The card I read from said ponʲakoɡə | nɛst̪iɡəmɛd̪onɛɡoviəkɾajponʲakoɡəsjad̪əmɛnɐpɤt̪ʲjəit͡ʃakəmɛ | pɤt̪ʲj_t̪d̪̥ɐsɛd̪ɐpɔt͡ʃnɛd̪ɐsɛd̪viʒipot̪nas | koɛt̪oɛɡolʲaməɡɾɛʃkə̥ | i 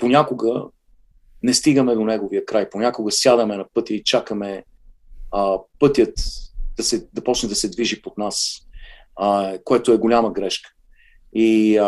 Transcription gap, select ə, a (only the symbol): ə